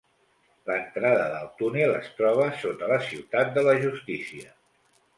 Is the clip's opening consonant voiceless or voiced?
voiced